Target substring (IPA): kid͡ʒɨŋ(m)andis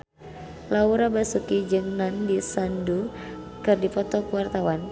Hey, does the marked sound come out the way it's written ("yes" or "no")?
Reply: no